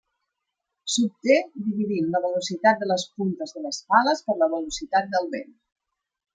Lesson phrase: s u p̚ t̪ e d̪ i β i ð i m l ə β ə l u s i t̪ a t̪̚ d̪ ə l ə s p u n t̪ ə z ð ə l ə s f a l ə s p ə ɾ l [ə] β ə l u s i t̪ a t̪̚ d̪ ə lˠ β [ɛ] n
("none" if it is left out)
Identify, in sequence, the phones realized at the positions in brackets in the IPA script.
ə, e

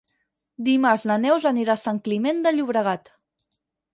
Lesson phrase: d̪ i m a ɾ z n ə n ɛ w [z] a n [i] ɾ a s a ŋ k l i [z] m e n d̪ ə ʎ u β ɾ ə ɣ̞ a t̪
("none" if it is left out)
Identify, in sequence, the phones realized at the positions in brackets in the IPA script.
z, i, none

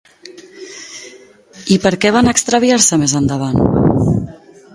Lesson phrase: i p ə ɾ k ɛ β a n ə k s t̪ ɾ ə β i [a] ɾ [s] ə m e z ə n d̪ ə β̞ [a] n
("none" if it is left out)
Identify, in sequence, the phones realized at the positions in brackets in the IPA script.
a, s, a

